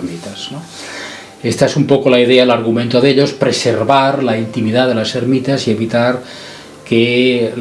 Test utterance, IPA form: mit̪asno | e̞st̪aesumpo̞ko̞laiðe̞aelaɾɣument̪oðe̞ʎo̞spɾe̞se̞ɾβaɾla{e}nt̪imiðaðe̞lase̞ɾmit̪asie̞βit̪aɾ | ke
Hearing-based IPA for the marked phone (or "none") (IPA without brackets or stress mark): i